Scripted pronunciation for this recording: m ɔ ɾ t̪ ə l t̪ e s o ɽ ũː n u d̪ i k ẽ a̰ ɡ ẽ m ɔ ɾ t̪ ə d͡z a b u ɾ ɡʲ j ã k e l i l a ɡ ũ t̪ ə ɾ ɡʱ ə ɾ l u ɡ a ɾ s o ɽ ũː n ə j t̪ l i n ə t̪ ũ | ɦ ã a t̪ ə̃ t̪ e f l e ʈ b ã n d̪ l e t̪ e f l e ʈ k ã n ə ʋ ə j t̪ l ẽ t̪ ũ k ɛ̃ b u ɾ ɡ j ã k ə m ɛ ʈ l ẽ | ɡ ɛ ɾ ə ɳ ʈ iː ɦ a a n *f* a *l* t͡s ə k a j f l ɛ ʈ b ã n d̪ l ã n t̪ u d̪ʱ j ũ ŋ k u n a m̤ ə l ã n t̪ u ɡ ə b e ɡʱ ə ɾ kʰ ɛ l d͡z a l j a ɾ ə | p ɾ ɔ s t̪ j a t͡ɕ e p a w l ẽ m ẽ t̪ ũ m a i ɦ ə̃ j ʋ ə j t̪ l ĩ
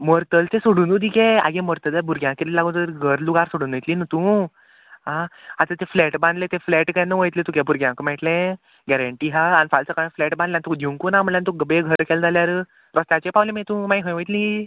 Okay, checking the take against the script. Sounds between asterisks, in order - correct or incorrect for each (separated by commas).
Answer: correct, correct